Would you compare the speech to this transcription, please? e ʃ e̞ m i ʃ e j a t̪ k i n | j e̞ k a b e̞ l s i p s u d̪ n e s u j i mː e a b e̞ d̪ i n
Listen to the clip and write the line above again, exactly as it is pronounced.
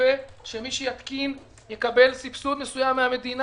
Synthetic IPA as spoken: e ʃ e̞ m i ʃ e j a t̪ k i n | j e̞ k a b e̞ l s i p s u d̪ n e s u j a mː e a m e̞ d̪ i n